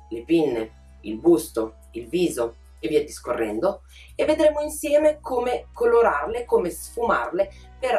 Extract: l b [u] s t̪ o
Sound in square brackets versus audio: correct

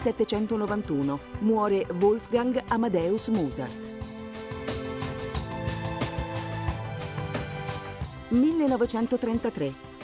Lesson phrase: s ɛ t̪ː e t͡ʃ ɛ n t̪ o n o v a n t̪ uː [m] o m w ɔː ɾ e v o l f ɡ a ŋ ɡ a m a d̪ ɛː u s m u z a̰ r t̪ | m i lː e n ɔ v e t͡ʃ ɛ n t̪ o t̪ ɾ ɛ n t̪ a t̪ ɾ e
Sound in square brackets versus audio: incorrect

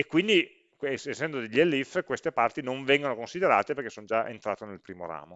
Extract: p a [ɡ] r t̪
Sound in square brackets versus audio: incorrect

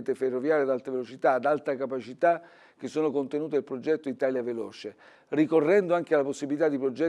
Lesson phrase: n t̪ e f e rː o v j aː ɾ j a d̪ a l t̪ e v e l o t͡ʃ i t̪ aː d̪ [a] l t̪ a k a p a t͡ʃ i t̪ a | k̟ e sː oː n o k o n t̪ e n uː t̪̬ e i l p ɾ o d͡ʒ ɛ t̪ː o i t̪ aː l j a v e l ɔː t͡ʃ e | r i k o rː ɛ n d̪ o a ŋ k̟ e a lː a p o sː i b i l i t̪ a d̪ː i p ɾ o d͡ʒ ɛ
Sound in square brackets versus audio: correct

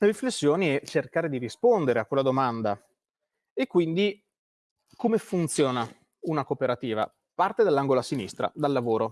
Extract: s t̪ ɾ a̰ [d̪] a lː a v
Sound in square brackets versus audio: correct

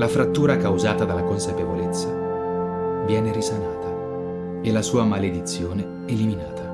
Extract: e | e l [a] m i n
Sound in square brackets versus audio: incorrect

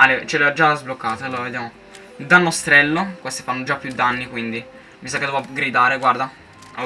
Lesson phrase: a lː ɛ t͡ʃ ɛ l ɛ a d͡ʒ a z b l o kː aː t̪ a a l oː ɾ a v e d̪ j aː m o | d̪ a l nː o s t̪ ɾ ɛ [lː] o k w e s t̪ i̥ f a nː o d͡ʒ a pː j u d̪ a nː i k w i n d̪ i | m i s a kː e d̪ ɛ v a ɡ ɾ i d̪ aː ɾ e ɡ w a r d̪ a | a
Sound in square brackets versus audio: correct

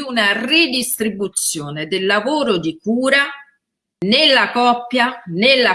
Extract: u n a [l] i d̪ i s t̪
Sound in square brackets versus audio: incorrect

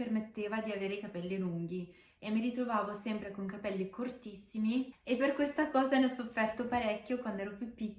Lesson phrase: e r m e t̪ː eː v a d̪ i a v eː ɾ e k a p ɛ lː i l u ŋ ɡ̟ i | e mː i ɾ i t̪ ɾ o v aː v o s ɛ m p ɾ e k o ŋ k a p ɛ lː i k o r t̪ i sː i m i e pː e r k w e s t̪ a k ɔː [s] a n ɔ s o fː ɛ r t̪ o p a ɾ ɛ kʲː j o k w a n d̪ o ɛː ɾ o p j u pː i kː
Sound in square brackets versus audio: incorrect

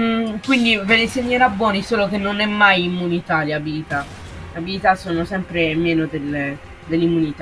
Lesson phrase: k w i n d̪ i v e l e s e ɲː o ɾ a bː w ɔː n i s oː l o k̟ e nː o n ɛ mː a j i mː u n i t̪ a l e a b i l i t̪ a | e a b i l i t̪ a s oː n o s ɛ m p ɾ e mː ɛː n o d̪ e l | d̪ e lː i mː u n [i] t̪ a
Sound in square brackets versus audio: correct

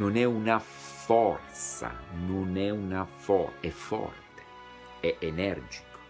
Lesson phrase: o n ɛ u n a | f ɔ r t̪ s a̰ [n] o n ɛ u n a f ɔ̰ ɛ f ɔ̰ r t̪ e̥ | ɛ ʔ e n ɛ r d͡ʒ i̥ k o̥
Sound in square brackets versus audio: correct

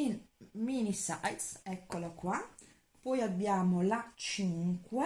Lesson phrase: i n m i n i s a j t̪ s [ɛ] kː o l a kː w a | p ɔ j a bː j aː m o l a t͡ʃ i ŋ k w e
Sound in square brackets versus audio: correct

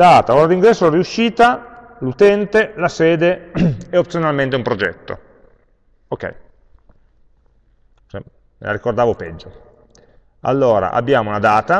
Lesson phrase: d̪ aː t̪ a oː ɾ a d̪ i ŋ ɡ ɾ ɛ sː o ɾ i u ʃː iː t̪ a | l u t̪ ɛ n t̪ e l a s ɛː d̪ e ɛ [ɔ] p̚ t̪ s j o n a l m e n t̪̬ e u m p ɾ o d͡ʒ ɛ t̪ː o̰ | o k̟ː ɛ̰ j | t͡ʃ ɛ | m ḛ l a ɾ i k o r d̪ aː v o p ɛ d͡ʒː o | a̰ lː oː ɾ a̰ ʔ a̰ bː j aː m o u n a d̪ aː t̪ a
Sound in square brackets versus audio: incorrect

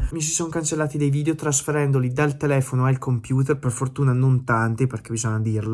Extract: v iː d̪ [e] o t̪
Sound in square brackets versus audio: correct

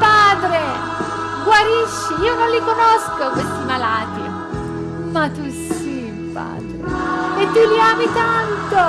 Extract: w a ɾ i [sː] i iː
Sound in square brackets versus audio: incorrect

